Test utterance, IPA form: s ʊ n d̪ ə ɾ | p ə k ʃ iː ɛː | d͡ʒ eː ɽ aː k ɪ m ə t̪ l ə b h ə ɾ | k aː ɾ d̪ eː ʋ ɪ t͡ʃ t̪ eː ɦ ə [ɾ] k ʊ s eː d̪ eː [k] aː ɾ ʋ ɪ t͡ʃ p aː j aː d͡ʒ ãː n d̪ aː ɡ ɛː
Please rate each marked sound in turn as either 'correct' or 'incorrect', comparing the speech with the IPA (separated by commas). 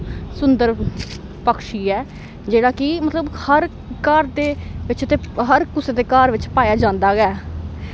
correct, correct